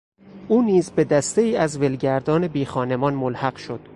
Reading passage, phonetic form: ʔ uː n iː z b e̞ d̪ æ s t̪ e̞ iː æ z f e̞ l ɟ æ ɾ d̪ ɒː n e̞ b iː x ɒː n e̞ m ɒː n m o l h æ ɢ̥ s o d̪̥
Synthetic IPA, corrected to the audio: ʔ uː n iː z b e̞ d̪ æ s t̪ e̞ iː æ z v e̞ l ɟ æ ɾ d̪ ɒː n e̞ b iː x ɒː n e̞ m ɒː n m o l h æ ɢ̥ ʃ o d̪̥

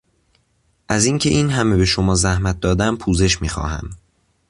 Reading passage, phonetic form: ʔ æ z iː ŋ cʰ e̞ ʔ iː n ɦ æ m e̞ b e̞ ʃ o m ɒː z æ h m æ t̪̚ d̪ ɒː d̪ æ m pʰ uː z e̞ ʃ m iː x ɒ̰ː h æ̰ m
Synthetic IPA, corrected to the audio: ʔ æ z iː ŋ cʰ e̞ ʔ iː n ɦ æ m e̞ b e̞ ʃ o m ɒː z æ h m æ t̪̚ d̪ ɒː d̪ æ m pʰ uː z e̞ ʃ m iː x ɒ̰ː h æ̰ m

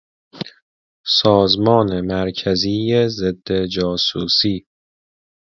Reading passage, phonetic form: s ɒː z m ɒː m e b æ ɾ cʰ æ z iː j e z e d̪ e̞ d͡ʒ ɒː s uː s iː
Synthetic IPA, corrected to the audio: s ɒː z m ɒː n e m æ ɾ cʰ æ z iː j e z e d̪ː e̞ d͡ʒ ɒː s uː s iː

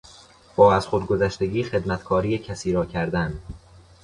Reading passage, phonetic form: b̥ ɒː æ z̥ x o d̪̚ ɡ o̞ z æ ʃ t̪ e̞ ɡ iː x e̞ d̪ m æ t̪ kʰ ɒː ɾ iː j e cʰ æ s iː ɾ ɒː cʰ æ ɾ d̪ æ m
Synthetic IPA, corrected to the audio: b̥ ɒː æ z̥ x o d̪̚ ɡ o̞ z æ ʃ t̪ e̞ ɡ iː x e̞ d̪ m æ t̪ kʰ ɒː ɾ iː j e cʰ æ s iː ɾ ɒː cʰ æ ɾ d̪ æ n

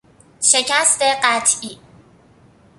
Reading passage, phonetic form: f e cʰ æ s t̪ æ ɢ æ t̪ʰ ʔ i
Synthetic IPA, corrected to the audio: ʃ e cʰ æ s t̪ e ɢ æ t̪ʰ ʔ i

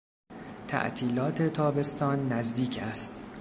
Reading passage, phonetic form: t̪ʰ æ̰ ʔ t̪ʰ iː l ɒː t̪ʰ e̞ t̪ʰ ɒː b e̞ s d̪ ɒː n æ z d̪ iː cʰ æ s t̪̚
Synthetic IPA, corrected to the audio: t̪ʰ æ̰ ʔ t̪ʰ iː l ɒː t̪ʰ e̞ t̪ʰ ɒː b e̞ s t̪ ɒː nː æ z d̪ iː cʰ æ s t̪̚

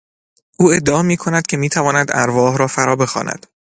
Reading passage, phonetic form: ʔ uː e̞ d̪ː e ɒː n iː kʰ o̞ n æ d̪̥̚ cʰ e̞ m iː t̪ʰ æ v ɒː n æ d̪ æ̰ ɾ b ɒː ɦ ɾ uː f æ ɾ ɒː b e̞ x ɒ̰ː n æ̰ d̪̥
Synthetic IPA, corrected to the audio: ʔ uː e̞ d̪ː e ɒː m iː kʰ o̞ n æ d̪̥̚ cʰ e̞ m iː t̪ʰ æ v ɒː n æ d̪ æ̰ ɾ v ɒː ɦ ɾ ɒː f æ ɾ ɒː b e̞ x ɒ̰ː n æ̰ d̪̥

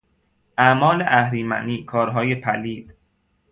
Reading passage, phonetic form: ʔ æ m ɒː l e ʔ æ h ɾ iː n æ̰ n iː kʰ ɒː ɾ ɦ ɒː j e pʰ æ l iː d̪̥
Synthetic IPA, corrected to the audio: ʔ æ m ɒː l e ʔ æ h ɾ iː m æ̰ n iː kʰ ɒː ɾ ɦ ɒː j e pʰ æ l iː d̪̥

